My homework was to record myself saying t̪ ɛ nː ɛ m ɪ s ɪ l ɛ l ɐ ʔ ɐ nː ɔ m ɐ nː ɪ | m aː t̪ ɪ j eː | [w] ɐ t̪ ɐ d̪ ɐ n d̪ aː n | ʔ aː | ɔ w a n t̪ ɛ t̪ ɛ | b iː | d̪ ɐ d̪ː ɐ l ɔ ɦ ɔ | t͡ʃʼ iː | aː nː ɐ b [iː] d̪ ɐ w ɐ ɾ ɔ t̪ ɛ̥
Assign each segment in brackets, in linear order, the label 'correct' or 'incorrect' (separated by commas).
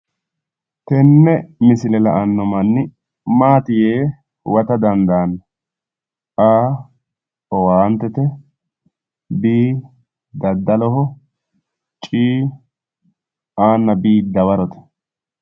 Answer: correct, correct